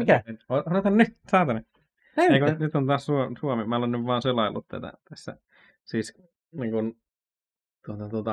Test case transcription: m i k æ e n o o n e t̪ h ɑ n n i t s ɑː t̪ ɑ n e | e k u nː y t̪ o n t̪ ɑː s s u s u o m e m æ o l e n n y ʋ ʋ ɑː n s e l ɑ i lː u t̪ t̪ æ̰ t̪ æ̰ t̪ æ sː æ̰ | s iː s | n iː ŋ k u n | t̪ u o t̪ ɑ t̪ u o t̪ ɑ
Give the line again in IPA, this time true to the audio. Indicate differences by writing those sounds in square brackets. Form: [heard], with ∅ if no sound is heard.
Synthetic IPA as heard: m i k æ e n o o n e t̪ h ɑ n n [y] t s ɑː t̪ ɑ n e | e k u [n] y t̪ o n t̪ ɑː s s u s u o m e m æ o l e n n y ʋ ʋ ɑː n s e l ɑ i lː u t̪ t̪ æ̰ t̪ æ̰ t̪ æ sː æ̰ | s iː s | n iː ŋ k u n | t̪ u o t̪ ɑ t̪ u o t̪ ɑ